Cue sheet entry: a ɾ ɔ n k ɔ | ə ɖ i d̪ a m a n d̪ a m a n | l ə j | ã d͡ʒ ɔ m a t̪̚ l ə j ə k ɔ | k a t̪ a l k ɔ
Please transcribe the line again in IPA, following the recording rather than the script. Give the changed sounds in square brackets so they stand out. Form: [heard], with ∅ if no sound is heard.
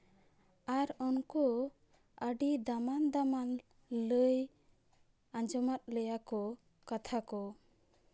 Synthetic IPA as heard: a ɾ ɔ n k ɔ | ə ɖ i d̪ a m a n d̪ a m a n | l ə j | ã d͡ʒ ɔ m a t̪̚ l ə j [a] k ɔ | k a [t̪ʰ] a [∅] k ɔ